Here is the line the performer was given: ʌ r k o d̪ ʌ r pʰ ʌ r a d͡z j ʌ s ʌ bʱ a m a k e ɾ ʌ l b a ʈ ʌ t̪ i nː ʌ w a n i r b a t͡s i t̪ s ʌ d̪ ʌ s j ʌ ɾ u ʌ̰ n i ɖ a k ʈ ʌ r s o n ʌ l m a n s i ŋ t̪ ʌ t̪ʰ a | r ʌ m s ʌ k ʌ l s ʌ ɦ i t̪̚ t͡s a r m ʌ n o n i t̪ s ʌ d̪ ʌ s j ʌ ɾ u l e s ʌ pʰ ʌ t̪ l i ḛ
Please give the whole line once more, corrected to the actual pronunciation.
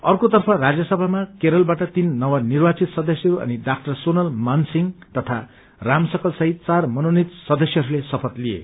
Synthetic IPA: ʌ r k o t̪ ʌ r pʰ ʌ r a d͡z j ʌ s ʌ bʱ a m a k e ɾ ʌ l b a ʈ ʌ t̪ i nː ʌ w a n i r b a t͡s i t̪ s ʌ d̪ ʌ s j ʌ ɾ u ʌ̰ n i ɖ a k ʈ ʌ r s o n ʌ l m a n s i ŋ t̪ ʌ t̪ʰ a | r a m s ʌ k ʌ l s ʌ ɦ i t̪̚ t͡s a r m ʌ n o n i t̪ s ʌ d̪ ʌ s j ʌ ɾ u l e s ʌ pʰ ʌ t̪ l i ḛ